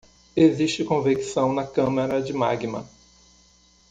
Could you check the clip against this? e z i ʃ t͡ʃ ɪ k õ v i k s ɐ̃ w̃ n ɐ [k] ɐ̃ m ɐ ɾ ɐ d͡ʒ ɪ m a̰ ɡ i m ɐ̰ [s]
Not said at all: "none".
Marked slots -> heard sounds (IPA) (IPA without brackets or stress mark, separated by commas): k, none